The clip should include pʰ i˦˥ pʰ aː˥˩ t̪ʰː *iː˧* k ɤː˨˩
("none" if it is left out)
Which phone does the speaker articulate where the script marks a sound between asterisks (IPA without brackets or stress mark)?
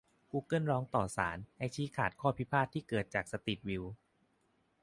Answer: iː˥˩